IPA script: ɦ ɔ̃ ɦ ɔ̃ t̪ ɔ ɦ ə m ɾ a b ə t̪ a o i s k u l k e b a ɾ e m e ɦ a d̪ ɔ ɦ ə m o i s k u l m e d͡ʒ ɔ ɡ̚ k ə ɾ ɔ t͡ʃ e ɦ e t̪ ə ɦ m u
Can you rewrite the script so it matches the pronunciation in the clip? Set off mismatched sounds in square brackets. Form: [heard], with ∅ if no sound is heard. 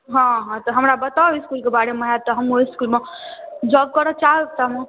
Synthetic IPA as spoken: ɦ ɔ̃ ɦ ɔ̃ t̪ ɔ ɦ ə m ɾ a b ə t̪ a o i s k u l k e b a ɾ e m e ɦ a [t̪] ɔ ɦ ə m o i s k u l m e d͡ʒ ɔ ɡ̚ k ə ɾ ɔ t͡ʃ [a] ɦ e t̪ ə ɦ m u